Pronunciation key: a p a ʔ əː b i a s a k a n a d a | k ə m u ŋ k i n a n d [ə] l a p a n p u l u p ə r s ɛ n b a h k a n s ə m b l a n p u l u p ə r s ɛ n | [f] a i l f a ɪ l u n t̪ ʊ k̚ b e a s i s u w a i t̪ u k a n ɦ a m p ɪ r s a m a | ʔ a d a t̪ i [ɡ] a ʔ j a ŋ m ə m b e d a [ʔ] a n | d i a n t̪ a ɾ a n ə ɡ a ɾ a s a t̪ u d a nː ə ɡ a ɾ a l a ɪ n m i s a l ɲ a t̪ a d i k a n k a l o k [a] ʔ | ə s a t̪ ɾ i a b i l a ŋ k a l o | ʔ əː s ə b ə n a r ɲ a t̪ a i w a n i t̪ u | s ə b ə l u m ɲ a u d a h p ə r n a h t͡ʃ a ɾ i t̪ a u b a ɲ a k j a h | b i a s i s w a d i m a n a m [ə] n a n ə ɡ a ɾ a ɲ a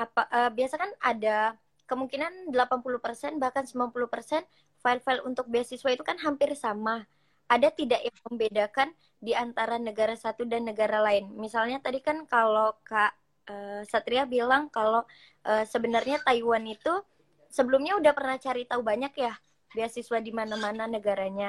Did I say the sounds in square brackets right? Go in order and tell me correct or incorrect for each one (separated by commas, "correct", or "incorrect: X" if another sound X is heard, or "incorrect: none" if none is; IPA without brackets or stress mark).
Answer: correct, correct, incorrect: d, incorrect: k, correct, incorrect: a